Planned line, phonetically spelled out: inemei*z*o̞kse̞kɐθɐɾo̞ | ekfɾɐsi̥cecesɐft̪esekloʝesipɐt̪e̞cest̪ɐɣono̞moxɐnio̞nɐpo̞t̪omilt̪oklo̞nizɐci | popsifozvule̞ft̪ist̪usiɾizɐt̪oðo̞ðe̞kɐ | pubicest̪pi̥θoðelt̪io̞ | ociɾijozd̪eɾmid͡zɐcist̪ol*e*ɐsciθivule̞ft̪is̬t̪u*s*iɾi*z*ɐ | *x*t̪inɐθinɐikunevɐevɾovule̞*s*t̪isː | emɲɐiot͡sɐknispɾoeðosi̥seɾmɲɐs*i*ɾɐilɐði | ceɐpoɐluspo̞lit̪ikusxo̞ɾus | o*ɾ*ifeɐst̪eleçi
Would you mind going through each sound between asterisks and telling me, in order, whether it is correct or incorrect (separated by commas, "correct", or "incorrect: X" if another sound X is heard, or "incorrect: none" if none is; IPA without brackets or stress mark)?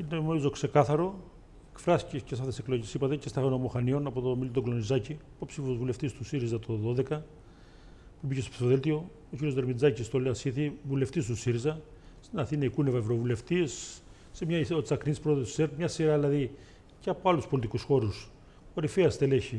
correct, correct, correct, correct, incorrect: s, incorrect: f, correct, correct